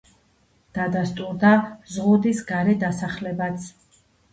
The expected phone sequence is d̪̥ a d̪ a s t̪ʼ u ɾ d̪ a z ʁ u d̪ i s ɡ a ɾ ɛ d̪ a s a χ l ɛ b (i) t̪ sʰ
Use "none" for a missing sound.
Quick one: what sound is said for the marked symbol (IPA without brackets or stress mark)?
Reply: a